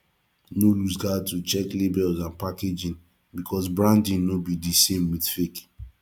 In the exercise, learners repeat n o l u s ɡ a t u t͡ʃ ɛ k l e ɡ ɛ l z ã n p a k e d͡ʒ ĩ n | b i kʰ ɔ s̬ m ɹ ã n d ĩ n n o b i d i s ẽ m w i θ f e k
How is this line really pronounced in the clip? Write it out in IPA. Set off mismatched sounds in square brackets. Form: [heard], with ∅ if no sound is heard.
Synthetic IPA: n o l u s ɡ a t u t͡ʃ ɛ k l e [b] ɛ l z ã n p a k e d͡ʒ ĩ n | b i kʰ ɔ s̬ [b] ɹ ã n d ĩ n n o b i d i s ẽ m w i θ f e k